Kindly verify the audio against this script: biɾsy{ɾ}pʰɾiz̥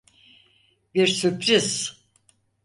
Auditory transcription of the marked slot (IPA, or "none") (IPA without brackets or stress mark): none